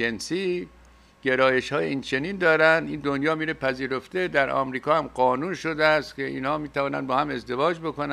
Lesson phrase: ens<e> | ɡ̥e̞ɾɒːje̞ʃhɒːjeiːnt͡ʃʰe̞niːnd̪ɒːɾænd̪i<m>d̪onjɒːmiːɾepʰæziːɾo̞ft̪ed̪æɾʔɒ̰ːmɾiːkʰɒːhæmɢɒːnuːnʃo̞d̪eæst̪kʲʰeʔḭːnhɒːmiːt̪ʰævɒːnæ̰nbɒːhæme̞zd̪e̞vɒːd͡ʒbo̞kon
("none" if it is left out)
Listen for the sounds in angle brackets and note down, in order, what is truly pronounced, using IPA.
i, n

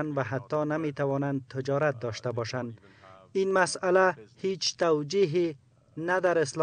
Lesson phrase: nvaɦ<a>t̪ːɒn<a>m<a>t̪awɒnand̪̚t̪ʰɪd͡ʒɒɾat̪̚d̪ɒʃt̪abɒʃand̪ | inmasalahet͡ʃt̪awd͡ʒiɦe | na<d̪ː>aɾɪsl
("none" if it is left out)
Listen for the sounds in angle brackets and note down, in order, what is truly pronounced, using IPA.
a, a, e, d̪

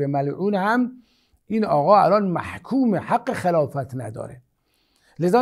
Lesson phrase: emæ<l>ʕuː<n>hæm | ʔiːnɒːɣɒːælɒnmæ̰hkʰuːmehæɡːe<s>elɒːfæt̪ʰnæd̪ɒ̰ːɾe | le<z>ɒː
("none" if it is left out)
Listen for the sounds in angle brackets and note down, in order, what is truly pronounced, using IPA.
l, n, x, z

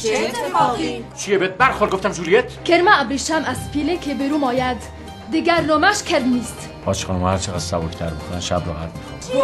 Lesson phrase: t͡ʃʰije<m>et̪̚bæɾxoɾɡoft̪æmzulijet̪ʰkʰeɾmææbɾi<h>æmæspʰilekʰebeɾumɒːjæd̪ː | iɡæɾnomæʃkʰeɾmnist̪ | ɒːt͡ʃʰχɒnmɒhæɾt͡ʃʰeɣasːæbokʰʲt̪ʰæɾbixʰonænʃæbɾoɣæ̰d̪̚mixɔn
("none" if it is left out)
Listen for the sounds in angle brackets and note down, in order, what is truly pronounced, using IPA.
b, ʃ

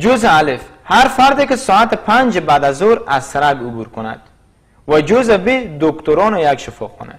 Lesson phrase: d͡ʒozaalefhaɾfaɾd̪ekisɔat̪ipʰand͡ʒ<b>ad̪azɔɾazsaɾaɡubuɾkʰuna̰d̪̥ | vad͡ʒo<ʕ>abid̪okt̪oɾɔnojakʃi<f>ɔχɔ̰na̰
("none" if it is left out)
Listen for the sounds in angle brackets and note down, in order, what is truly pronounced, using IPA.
b, z, f

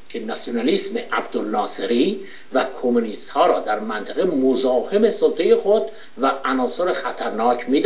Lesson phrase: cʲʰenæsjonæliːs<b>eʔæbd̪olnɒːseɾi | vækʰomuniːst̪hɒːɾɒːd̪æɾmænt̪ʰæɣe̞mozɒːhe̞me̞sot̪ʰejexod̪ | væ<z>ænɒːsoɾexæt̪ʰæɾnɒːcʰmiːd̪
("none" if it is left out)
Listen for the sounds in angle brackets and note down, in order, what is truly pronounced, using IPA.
m, none

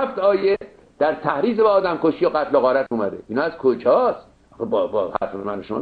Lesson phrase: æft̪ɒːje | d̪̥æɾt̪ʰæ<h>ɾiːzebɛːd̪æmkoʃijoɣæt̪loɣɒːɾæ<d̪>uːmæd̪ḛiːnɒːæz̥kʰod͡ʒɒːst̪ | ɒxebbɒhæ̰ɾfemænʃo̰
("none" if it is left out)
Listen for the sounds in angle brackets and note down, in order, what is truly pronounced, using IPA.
h, t̪

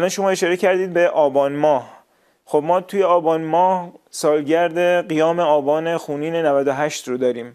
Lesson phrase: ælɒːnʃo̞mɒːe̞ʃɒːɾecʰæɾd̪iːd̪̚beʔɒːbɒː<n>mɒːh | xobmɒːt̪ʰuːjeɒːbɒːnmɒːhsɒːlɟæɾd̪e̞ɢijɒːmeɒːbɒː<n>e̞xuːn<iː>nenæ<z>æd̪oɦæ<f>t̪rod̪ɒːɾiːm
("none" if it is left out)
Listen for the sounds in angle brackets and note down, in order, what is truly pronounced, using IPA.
n, n, iː, v, ʃ

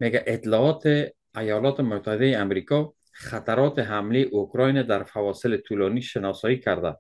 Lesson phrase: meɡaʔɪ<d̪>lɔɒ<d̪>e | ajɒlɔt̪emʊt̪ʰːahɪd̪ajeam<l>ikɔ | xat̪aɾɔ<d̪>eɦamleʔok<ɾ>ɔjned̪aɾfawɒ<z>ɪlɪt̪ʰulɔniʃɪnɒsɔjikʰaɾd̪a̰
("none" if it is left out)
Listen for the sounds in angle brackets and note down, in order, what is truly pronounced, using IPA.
t̪, t̪, ɾ, t̪, ɾ, s

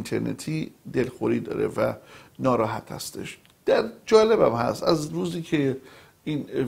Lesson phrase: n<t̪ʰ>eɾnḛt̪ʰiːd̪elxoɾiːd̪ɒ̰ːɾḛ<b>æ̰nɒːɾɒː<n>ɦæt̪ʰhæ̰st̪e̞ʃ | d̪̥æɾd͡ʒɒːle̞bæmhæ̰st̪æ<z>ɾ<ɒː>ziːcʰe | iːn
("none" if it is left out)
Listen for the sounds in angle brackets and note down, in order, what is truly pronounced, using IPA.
t̪ʰ, v, none, z, uː

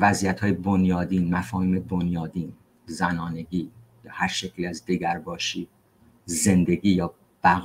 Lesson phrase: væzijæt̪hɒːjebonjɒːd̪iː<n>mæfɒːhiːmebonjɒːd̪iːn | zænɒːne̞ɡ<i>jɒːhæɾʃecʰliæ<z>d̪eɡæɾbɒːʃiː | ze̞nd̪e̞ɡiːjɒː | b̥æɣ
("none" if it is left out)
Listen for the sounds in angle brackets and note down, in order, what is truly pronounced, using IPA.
n, iː, z

